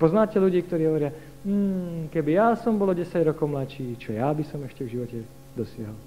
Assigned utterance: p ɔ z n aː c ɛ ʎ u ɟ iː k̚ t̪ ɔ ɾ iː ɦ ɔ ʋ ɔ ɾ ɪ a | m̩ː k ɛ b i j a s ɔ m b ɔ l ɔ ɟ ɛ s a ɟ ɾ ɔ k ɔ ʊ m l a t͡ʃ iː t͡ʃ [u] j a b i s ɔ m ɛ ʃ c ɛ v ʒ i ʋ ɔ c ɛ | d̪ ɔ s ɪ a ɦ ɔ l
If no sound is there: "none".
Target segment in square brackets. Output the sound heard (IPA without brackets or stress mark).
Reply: ɔ